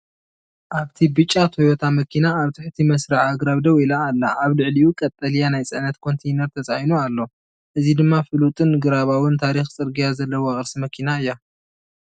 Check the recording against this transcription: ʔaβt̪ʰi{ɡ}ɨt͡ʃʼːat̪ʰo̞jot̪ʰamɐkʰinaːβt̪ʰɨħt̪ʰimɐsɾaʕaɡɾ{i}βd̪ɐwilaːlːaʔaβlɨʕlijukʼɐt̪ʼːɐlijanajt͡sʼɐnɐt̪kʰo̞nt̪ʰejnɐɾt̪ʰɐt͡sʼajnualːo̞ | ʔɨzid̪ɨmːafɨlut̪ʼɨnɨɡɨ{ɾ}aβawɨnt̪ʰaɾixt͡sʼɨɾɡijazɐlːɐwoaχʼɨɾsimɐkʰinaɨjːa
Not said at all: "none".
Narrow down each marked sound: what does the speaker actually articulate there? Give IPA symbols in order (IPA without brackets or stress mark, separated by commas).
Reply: b, a, ɾ